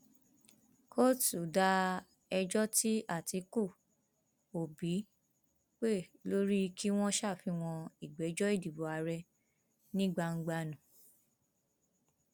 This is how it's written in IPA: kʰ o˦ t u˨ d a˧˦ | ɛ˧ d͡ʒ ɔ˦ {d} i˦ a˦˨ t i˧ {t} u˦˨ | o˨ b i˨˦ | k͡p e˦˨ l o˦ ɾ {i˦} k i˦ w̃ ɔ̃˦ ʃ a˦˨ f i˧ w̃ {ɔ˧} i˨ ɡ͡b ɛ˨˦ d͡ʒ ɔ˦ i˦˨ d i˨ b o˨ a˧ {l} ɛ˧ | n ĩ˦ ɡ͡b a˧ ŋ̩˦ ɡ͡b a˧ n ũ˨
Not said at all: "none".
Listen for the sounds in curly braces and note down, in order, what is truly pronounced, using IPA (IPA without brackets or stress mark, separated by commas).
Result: t, k, i˦, ɔ̃˧, ɾ